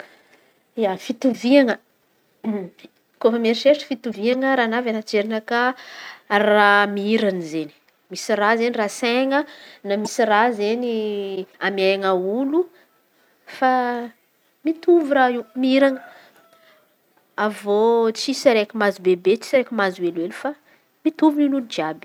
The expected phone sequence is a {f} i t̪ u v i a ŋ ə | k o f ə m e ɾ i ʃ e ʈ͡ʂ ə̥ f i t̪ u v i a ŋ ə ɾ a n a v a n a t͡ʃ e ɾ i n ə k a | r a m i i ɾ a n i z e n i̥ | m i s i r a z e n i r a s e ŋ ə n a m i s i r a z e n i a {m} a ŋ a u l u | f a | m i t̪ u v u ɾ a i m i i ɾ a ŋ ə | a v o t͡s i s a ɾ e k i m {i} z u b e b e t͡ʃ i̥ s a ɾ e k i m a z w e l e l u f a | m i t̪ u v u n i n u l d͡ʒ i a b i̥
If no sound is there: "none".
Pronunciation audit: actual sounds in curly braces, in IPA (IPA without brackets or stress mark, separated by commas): f, m, a